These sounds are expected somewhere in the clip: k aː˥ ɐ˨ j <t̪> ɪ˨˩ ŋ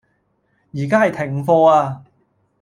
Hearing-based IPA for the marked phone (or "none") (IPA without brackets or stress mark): t̪ʰ